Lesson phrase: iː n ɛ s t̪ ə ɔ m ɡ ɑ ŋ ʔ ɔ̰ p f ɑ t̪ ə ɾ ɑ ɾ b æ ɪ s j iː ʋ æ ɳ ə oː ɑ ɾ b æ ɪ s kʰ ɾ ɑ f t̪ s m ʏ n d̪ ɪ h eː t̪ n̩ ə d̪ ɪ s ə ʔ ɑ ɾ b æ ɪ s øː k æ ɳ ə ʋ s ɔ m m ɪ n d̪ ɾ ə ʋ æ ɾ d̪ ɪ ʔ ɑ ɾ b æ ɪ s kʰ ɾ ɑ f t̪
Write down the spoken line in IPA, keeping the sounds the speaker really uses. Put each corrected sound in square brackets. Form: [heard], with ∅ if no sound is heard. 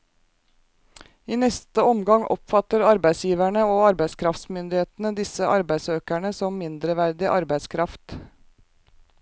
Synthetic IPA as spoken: iː n ɛ s t̪ ə ɔ m ɡ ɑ ŋ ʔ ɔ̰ p f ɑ t̪ ə ɾ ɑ ɾ b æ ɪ s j iː ʋ æ ɳ ə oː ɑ ɾ b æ ɪ s kʰ ɾ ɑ f t̪ s m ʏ n d̪ ɪ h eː t̪ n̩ ə d̪ ɪ s ə ʔ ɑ ɾ b æ ɪ s øː k æ ɳ ə [∅] s ɔ m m ɪ n d̪ ɾ ə ʋ æ ɾ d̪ ɪ ʔ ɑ ɾ b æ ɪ s kʰ ɾ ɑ f t̪